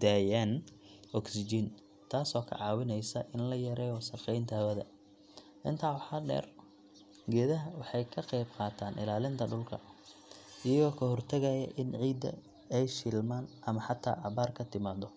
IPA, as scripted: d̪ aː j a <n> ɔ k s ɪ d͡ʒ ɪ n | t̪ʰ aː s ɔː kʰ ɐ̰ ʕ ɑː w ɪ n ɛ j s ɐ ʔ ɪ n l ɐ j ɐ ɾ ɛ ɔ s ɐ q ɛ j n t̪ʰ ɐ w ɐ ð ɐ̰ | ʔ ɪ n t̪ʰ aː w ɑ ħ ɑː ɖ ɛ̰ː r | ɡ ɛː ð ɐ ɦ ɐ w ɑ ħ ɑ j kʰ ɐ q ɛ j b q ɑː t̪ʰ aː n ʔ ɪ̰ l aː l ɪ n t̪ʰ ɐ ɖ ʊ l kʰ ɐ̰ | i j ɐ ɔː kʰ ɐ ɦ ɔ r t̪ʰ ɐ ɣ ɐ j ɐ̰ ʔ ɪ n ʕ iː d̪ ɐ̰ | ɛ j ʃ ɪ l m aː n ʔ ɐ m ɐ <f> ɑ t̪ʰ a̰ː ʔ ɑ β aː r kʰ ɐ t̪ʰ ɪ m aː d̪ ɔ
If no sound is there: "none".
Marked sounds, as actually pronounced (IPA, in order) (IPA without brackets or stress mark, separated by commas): n, ħ